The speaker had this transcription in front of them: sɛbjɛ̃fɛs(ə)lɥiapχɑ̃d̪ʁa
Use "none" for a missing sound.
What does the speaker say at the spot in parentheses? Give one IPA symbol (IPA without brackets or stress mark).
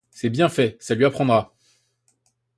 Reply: a